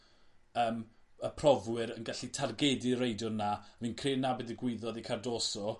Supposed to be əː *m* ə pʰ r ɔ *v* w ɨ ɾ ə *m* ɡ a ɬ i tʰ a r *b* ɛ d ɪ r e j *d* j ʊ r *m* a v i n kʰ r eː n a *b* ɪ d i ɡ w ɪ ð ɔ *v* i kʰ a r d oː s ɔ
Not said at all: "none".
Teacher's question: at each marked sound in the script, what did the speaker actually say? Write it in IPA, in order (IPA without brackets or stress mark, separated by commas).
m, v, n, ɡ, d, n, b, ð